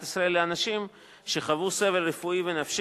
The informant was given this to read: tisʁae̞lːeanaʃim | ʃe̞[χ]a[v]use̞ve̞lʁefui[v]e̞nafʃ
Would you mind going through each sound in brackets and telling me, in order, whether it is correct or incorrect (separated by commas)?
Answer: correct, correct, correct